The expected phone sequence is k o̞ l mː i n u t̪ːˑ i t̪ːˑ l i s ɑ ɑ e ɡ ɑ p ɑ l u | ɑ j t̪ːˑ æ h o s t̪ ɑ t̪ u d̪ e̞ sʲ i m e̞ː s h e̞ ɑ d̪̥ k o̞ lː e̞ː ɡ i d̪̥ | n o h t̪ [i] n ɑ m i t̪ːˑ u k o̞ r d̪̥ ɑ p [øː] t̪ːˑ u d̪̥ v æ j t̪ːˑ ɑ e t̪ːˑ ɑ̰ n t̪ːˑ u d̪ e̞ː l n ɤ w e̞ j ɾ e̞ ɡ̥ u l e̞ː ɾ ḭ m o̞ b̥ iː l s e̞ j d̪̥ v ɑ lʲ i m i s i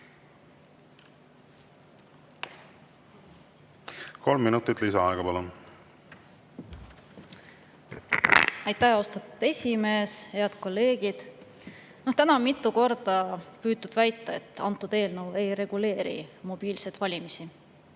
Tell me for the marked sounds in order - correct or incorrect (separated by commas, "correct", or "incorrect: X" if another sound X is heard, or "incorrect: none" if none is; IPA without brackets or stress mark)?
incorrect: æ, incorrect: yː